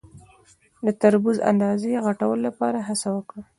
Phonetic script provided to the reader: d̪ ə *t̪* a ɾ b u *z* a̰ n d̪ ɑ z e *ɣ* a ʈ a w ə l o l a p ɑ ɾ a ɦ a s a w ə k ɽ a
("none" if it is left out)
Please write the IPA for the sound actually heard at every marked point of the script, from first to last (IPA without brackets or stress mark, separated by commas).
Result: t̪, z, ɣ